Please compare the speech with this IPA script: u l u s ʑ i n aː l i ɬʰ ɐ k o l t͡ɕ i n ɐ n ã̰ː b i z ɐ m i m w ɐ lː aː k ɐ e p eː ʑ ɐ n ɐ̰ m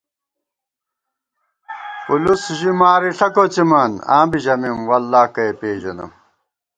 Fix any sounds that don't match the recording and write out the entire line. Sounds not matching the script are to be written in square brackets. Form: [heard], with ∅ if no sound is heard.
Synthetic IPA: u l u s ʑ i [m] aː [ɾ] i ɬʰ ɐ k o [∅] t͡ɕ i [m] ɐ n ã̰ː b i [ʑ] ɐ m i m w ɐ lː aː k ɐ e p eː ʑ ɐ n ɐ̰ m